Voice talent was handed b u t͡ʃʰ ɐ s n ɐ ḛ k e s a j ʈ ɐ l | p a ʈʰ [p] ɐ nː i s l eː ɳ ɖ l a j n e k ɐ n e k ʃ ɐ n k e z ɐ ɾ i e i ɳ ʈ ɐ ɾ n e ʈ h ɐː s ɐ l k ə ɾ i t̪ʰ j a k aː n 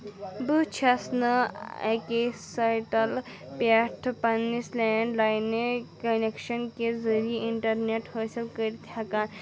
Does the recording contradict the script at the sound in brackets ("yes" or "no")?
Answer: no